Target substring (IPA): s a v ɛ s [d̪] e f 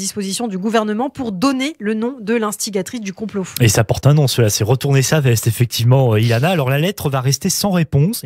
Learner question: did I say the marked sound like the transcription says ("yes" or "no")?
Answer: no